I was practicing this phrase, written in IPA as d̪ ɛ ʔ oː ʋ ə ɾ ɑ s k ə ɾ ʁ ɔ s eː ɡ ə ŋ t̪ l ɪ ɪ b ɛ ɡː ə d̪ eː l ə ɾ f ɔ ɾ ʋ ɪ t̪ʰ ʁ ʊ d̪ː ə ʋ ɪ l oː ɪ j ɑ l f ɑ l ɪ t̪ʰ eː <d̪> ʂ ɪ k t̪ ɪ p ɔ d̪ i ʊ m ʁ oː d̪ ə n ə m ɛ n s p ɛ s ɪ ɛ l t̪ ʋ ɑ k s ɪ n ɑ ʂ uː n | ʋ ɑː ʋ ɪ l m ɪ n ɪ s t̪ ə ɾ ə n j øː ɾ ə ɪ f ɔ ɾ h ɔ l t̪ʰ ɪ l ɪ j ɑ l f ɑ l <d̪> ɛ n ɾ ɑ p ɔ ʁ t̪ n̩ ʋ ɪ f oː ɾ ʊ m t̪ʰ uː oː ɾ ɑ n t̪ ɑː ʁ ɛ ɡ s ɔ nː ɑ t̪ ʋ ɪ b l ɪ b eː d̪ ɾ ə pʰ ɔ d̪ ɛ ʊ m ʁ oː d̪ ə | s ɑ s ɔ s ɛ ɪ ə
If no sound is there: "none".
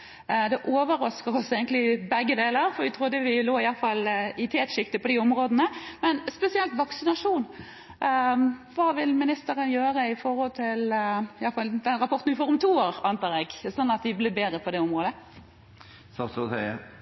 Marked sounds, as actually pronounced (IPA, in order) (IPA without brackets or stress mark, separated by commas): t̪, d̪